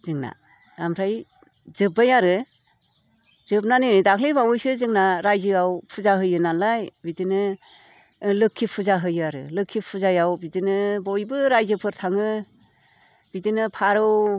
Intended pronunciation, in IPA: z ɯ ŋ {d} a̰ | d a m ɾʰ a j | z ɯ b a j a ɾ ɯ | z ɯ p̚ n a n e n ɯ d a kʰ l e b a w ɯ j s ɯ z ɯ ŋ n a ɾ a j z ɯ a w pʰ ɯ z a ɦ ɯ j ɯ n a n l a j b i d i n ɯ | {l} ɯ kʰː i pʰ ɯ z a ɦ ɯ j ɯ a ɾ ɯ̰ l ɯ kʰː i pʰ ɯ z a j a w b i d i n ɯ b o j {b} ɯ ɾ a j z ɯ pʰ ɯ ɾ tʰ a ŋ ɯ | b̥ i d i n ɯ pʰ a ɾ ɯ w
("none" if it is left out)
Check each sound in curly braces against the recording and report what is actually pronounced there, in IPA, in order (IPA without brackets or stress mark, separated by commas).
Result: n, l, b